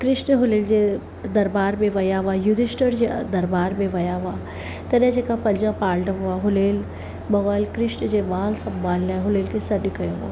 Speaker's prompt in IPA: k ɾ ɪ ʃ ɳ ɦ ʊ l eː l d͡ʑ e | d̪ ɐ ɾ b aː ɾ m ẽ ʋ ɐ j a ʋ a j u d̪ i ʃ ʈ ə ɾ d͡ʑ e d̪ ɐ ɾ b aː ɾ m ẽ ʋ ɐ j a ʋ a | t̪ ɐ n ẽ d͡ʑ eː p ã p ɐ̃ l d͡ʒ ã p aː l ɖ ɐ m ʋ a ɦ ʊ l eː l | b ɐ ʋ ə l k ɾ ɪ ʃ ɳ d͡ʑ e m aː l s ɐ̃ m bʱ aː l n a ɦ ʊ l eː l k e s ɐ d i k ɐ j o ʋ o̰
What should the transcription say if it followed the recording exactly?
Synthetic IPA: k ɾ ɪ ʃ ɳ ɦ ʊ l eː l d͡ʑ e | d̪ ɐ ɾ b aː ɾ m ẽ ʋ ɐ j a ʋ a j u d̪ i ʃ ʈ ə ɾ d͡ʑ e d̪ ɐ ɾ b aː ɾ m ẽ ʋ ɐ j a ʋ a | t̪ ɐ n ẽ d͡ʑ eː k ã p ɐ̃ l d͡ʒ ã p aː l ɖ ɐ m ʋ a ɦ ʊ l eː l | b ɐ ʋ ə l k ɾ ɪ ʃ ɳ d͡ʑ e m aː l s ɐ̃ m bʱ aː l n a ɦ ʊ l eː l k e s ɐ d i k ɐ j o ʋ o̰